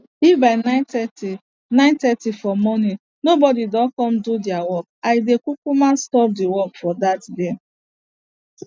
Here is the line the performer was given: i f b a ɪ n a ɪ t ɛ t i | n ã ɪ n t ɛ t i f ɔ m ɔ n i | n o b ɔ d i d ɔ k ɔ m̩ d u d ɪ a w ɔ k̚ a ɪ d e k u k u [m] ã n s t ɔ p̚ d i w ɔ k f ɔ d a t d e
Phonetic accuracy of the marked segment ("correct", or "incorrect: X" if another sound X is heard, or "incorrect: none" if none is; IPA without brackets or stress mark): correct